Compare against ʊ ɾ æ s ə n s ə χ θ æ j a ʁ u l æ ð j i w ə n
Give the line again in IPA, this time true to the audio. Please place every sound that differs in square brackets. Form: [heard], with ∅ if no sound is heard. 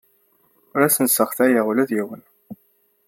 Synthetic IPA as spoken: ʊ ɾ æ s ə n s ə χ θ æ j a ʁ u l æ ð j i w ə n